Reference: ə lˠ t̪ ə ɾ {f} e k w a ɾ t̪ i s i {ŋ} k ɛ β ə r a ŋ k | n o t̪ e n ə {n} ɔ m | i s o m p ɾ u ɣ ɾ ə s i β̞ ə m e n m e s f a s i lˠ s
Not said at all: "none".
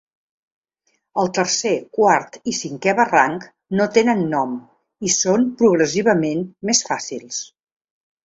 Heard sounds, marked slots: s, ŋ, nː

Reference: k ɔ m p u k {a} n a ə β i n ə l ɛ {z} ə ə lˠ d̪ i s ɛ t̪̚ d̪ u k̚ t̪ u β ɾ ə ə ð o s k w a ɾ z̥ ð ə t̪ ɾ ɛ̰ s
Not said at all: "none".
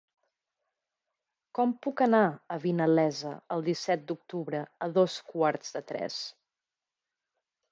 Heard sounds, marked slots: ə, z

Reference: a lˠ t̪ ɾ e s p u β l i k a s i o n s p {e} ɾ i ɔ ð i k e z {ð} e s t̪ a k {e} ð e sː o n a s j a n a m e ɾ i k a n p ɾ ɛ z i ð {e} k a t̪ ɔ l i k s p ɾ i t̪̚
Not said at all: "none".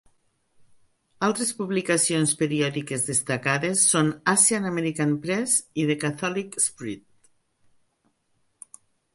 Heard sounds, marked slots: e, ð, a, e

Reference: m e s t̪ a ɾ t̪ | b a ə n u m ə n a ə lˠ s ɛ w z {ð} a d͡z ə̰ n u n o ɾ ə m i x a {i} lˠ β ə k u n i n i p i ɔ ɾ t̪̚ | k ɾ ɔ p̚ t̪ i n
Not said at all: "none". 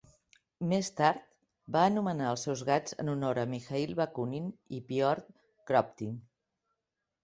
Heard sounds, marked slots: ɣ, i

